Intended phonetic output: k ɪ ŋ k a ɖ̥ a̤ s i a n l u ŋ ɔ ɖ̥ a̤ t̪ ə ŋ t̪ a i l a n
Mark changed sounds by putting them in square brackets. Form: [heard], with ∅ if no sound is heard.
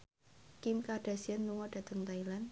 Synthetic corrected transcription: k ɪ [m] k a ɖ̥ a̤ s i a n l u ŋ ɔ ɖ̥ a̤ t̪ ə ŋ t̪ a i l a n